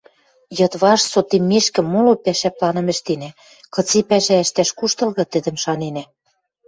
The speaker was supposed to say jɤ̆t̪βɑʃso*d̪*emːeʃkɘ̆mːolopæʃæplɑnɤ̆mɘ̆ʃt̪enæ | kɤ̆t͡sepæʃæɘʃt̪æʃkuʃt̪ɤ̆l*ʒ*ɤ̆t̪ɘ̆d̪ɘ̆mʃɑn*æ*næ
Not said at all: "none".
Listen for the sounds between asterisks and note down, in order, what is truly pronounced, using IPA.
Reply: t̪, ɣ, e

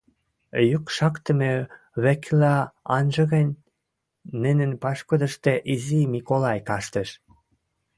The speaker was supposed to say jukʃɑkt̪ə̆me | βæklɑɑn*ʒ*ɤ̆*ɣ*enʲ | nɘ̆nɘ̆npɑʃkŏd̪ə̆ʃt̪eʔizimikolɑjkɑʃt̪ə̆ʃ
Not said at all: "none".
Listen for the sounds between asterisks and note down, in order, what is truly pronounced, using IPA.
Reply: ʒ, ɣ

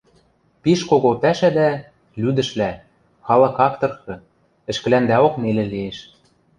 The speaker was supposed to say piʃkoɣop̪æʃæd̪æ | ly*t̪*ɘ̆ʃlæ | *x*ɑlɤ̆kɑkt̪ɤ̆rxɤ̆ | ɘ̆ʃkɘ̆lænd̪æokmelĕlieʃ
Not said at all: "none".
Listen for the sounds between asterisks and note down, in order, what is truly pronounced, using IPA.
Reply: d̪, x

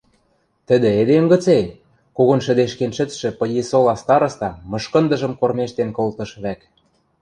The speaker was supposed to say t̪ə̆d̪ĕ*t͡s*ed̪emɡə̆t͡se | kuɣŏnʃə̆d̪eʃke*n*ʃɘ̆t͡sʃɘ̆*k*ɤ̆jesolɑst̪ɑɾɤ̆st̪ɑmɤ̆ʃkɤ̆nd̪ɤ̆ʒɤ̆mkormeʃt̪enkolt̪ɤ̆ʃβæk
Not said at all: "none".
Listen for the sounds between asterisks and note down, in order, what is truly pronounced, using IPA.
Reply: none, n, p

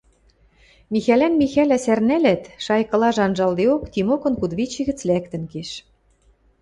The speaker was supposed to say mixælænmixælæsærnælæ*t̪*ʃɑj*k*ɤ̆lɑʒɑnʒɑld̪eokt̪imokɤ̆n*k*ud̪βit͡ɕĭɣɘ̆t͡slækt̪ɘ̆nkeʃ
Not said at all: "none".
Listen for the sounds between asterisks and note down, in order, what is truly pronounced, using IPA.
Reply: t̪, k, k

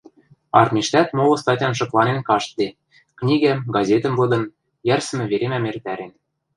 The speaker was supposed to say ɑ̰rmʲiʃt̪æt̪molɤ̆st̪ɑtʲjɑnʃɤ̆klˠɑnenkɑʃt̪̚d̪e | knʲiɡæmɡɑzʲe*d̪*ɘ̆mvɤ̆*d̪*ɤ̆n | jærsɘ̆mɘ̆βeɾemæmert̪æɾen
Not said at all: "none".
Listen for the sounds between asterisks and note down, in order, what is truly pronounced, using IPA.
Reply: t̪, d̪

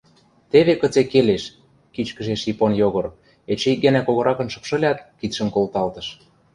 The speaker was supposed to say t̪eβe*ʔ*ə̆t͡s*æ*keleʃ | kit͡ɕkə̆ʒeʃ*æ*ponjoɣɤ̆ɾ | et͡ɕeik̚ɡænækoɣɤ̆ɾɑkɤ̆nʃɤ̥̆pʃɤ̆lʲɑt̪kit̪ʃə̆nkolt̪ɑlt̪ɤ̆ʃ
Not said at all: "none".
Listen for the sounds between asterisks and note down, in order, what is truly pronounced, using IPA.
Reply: k, e, i

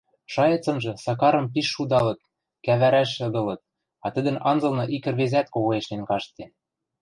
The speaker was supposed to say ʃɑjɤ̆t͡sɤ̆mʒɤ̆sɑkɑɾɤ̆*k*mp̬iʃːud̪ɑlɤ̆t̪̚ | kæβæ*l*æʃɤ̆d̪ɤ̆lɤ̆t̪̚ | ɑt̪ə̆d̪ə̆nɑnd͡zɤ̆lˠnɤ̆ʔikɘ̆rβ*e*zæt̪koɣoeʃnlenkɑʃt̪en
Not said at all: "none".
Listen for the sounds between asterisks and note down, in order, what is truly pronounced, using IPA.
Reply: none, ɾ, e

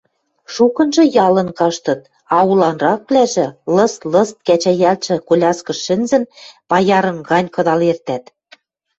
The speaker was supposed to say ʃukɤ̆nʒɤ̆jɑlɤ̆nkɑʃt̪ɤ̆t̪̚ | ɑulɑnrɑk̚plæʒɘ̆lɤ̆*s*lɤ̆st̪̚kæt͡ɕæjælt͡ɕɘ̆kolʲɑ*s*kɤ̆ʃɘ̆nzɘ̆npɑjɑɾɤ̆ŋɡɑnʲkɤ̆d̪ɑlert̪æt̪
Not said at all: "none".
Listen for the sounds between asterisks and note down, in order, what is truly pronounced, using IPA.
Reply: s, s

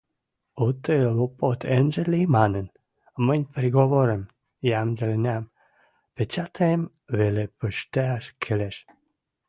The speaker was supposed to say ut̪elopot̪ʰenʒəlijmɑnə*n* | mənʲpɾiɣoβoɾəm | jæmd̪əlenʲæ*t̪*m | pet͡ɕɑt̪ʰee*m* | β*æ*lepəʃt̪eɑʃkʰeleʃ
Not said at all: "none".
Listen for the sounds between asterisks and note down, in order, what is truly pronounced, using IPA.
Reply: n, none, m, e

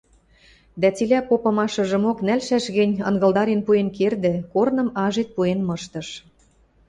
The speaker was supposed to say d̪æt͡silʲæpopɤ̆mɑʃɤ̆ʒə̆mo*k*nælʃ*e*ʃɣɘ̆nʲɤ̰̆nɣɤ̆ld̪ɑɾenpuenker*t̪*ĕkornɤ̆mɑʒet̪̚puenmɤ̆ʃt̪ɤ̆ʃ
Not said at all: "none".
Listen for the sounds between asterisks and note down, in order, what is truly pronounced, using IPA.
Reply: k, æ, d̪

